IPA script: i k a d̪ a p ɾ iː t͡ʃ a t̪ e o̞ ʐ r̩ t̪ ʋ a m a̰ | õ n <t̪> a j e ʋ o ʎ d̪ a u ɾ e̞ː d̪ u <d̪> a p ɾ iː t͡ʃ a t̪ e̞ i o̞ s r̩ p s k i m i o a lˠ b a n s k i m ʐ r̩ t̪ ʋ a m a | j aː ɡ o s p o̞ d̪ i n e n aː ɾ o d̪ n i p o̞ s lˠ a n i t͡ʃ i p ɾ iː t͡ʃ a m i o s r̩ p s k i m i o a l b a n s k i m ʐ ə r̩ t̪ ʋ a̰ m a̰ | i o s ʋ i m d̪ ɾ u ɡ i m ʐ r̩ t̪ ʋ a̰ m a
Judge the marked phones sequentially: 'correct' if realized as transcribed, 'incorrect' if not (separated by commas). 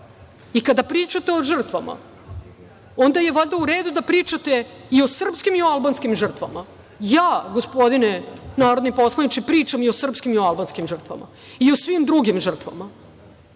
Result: incorrect, correct